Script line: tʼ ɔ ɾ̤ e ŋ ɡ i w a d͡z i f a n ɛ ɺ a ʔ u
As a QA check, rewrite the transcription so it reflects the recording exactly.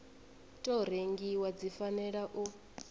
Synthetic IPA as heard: tʼ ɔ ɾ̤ e ŋ ɡ i w a d͡z i f a n ɛ ɺ a ʔ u